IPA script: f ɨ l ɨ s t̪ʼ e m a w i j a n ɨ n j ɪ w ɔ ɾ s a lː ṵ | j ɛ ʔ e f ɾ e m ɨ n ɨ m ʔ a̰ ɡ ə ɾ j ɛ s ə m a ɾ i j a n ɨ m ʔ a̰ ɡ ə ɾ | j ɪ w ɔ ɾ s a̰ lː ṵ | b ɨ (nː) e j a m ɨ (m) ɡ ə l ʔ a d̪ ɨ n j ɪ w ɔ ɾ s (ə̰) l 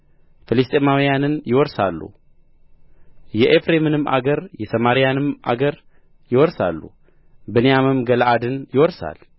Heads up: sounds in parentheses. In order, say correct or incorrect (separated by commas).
incorrect, correct, incorrect